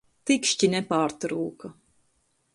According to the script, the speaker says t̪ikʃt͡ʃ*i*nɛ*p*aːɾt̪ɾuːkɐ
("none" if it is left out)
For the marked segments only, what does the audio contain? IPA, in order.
i, p

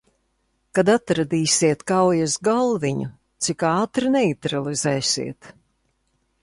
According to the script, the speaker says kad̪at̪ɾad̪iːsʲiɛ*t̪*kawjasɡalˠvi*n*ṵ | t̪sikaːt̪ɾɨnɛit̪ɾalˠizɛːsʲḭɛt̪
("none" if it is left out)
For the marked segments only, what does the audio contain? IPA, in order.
t̪, ɲ

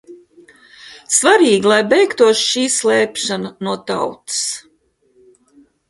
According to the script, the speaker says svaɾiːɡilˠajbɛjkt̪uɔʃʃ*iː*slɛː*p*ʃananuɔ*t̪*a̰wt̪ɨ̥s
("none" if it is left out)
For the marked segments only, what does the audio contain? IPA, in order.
iː, p, t̪

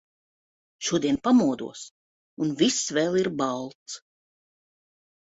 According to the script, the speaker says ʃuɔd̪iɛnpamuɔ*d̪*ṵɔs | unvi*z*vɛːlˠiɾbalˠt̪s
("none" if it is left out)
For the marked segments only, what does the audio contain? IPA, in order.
d̪, s

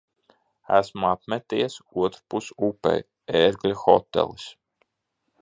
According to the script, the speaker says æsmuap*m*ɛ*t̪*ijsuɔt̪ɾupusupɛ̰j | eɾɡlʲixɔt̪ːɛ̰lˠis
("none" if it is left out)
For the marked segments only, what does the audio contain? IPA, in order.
m, t̪

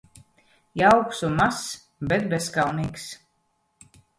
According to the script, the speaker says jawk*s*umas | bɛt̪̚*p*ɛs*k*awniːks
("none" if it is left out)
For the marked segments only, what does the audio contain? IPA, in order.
s, b, k

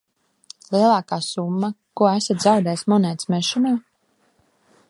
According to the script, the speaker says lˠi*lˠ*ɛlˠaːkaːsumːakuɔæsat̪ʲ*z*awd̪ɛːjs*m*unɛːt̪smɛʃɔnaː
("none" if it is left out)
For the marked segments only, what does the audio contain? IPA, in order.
none, z, m

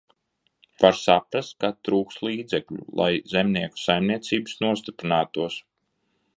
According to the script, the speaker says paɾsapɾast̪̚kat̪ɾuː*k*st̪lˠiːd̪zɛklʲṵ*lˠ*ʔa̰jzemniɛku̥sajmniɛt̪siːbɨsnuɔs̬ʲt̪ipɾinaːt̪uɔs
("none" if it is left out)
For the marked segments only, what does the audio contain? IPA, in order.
k, lˠ

